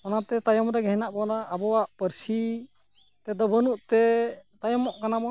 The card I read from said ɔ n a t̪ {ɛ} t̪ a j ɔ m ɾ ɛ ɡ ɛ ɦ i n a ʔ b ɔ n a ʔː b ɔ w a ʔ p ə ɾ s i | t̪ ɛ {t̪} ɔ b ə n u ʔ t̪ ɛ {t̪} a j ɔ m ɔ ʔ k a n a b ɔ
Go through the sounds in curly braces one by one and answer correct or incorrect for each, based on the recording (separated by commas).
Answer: correct, incorrect, correct